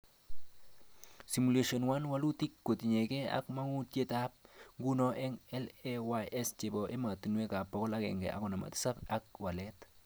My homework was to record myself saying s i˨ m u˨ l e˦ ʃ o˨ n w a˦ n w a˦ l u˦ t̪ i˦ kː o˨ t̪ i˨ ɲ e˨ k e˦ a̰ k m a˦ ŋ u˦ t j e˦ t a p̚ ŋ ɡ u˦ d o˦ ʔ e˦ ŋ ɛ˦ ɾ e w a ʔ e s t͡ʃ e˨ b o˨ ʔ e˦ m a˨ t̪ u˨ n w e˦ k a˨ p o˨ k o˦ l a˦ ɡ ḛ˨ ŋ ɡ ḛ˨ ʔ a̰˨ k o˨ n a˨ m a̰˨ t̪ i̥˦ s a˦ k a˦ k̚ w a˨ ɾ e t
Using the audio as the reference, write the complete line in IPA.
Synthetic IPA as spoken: s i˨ m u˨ l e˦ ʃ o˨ n w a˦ n w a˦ l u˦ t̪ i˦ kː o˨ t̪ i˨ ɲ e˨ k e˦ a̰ k m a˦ ŋ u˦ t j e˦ t a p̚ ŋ ɡ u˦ n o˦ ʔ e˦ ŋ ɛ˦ l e w a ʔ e s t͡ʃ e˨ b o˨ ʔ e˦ m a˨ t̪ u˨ n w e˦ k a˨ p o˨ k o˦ l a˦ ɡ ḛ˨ ŋ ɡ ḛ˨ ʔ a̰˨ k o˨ n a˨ m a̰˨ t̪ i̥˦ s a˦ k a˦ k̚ w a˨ l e t